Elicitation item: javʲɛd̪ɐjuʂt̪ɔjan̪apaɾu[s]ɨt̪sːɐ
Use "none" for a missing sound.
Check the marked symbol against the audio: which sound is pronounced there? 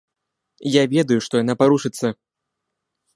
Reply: ʂ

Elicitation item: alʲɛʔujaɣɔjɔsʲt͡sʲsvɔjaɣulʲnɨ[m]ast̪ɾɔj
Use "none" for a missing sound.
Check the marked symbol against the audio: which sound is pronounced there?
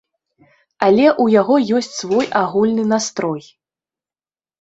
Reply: n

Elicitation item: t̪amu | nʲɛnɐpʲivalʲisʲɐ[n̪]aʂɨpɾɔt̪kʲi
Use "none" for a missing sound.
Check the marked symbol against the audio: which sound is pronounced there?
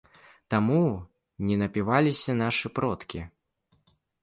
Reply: n̪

